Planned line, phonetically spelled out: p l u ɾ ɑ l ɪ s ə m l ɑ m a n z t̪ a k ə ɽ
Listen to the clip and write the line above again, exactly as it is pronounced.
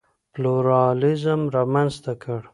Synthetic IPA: p l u ɾ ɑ l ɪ z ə m ɾ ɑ m a n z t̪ a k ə ɽ